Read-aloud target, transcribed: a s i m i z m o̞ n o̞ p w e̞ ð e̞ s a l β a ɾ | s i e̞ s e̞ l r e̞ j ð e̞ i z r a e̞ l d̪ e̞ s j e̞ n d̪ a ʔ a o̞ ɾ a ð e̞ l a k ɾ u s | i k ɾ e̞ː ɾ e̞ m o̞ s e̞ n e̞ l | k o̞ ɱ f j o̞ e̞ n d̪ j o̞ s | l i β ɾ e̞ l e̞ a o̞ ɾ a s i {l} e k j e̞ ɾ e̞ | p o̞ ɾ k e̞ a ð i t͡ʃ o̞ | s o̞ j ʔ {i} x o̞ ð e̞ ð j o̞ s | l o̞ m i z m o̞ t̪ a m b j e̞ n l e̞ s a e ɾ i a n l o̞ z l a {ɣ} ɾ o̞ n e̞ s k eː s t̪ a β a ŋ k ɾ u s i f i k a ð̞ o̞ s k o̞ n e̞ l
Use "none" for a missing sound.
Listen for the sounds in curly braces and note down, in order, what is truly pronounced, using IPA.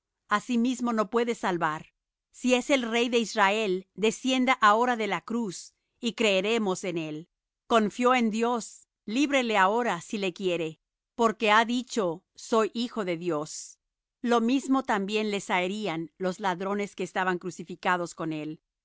l, i, ð

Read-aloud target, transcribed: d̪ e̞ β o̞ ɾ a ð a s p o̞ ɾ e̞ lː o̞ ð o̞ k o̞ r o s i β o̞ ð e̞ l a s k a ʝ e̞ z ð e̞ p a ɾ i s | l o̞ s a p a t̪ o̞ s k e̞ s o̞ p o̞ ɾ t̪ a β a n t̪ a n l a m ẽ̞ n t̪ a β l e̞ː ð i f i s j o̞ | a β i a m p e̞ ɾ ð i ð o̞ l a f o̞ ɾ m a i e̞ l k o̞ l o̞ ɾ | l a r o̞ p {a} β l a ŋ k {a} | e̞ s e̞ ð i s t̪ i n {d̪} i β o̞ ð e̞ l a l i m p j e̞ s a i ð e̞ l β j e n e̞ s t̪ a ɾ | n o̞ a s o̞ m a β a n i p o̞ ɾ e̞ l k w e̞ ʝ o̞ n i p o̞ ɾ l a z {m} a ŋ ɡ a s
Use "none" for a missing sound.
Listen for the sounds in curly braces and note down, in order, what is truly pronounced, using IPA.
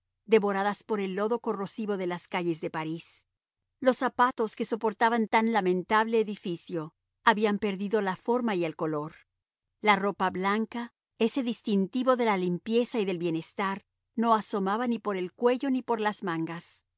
a, a, t̪, m

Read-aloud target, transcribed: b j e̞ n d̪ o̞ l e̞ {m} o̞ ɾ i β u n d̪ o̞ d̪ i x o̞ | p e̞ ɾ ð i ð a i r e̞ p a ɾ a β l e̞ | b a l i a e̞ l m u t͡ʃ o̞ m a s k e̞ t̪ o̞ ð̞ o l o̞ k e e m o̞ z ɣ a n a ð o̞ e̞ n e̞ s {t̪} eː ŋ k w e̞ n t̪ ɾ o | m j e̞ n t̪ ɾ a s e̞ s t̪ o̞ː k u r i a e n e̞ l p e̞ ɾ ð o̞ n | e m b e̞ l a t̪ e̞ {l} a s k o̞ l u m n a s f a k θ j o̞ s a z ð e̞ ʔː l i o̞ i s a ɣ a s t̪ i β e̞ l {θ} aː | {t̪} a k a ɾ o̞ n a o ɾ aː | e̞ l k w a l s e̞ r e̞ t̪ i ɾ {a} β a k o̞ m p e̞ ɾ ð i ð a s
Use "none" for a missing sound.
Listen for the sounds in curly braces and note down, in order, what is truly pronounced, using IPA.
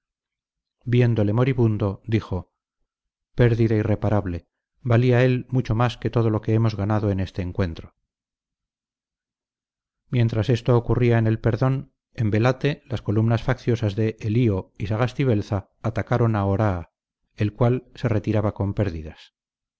m, t̪, l, θ, t̪, a

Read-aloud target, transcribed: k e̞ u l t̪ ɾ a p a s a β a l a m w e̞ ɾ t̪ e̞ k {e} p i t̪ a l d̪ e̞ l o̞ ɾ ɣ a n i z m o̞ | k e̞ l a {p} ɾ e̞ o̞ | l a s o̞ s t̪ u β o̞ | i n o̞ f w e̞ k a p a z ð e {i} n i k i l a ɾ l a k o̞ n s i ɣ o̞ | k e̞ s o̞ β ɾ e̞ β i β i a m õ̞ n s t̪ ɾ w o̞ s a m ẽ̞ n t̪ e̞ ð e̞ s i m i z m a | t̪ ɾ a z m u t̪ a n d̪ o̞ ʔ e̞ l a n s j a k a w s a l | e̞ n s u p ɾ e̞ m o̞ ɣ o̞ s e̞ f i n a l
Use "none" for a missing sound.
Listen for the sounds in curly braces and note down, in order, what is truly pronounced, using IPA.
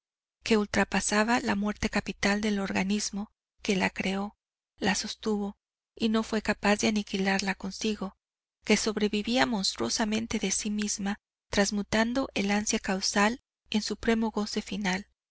a, k, a

